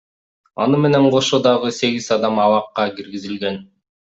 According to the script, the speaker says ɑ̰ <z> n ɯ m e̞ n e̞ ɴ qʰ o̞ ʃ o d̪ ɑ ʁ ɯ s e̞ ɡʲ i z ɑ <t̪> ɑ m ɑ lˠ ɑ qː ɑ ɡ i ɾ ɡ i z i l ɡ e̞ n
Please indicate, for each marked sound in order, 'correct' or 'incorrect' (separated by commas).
incorrect, incorrect